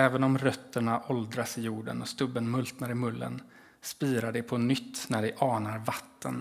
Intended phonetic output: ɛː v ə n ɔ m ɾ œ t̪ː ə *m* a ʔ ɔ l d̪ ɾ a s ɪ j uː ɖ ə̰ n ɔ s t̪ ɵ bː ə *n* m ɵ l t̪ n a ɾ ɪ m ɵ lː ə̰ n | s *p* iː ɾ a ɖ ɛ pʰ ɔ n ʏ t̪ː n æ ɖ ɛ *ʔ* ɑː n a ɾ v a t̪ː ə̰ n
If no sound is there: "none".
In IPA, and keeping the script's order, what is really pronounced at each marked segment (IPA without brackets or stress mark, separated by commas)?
ɳ, n, p, ʔ